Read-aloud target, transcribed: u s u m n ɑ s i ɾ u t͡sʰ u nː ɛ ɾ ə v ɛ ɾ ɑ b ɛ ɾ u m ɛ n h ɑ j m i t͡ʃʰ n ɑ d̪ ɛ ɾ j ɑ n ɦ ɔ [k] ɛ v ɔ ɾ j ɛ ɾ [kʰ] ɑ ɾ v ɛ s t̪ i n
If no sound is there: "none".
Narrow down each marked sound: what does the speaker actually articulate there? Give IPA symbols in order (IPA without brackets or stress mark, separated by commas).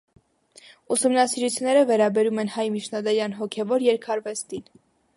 kʰ, kʰ